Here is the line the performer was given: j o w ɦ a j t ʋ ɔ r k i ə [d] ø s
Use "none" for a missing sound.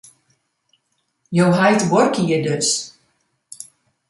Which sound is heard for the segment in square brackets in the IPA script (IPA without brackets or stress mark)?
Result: d